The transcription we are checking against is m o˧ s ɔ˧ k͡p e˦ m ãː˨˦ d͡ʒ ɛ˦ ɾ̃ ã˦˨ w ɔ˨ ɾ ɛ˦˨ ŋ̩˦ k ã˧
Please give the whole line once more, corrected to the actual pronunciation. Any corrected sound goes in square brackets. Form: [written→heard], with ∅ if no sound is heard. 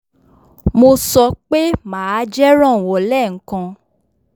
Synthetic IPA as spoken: m o˧ s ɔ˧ k͡p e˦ m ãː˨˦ d͡ʒ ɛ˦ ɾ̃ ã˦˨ w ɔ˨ [ɾ→l] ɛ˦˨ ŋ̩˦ k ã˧